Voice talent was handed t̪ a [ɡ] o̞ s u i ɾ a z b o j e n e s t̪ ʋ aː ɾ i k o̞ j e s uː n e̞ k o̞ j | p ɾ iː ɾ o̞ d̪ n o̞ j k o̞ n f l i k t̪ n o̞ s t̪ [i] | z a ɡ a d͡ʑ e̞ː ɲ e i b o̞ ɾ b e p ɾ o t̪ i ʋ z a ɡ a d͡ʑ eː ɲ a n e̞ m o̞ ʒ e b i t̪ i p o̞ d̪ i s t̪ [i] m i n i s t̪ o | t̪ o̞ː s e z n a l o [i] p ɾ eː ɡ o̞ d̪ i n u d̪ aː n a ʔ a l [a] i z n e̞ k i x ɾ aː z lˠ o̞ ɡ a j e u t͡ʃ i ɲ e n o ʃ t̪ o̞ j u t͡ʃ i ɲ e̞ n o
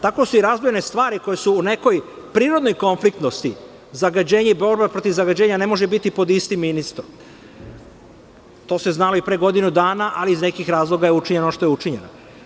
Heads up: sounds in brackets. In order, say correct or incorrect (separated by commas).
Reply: incorrect, correct, correct, correct, incorrect